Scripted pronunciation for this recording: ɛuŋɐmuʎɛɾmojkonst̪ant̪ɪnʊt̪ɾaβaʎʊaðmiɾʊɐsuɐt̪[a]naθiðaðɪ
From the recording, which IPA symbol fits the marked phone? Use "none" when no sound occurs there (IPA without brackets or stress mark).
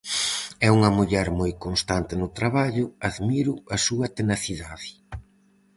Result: e